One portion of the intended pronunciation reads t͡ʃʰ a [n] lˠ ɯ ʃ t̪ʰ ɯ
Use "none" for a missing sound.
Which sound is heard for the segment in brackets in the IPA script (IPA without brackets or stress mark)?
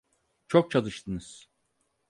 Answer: none